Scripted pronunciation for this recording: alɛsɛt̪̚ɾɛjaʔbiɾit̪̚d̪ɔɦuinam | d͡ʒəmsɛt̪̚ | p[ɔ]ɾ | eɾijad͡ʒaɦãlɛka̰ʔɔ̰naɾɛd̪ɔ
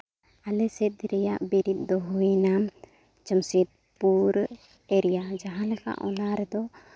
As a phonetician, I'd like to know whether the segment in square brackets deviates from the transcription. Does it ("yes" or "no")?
yes